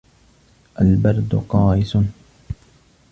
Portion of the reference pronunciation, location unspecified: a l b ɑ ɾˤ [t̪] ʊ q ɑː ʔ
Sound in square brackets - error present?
yes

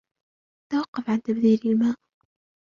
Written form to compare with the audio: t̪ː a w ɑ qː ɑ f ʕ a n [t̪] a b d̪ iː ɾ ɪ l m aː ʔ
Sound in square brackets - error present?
no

